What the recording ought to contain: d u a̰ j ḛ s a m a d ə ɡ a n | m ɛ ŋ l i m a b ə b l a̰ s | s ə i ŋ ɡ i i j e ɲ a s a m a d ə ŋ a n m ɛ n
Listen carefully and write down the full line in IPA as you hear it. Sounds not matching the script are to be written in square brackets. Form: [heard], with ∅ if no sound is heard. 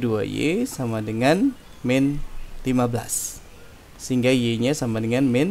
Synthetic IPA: d u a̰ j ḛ s a m a d ə [ŋ] a n | m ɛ [n] l i m a b ə [∅] l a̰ s | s ə i ŋ ɡ [a] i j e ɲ a s a m a d ə ŋ a n m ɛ n

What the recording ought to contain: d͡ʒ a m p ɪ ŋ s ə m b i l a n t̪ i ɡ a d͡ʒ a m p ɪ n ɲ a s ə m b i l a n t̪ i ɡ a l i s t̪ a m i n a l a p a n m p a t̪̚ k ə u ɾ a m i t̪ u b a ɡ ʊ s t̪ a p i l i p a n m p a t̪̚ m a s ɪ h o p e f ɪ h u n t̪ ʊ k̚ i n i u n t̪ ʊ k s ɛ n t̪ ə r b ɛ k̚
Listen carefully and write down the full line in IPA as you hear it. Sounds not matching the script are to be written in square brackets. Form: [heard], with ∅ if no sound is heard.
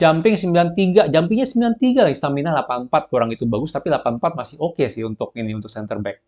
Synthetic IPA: d͡ʒ a m p ɪ ŋ s ə m b i l a n t̪ i ɡ a d͡ʒ a m p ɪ [ŋ] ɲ a s ə m b i l a n t̪ i ɡ a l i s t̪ a m i n a l a p a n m p a t̪̚ k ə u ɾ a [ŋ] i t̪ u b a ɡ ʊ s t̪ a p i l [a] p a n m p a t̪̚ m a s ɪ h o [k] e [s] ɪ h u n t̪ ʊ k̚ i n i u n t̪ ʊ k s ɛ n t̪ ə r b ɛ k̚

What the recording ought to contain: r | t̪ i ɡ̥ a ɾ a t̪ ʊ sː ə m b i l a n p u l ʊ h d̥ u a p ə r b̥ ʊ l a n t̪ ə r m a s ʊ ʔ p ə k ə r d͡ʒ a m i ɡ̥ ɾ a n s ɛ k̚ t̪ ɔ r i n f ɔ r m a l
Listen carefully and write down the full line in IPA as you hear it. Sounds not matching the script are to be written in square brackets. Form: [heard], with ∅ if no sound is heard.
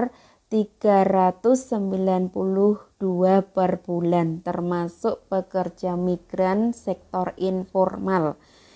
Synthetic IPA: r | t̪ i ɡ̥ a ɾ a t̪ ʊ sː ə m b i l a n p u l ʊ h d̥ u a p ə r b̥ [u] l a n t̪ ə r m a s ʊ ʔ p ə k ə r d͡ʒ a m i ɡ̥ ɾ a n s ɛ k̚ t̪ ɔ r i n f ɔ r m a l

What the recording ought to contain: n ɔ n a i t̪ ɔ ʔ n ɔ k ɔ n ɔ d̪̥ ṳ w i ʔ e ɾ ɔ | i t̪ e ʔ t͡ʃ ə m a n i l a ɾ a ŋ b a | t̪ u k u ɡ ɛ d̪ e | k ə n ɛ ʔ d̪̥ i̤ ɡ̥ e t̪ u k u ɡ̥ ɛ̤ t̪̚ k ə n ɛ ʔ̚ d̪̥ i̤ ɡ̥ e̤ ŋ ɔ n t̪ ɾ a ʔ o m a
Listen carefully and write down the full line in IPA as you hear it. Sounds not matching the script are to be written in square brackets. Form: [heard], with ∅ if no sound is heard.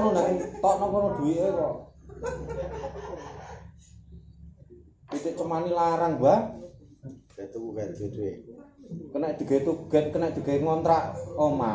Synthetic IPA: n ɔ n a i t̪ ɔ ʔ n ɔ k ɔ n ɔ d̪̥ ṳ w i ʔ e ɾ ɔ | i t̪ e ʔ t͡ʃ ə m a n i l a ɾ a ŋ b a | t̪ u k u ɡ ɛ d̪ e | k ə n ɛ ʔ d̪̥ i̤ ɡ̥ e t̪ u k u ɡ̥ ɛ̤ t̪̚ k ə n ɛ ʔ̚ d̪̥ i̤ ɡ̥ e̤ ŋ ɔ n t̪ ɾ a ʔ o m a

